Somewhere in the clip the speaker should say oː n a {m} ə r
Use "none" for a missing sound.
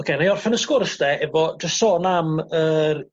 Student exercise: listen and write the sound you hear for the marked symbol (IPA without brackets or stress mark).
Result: m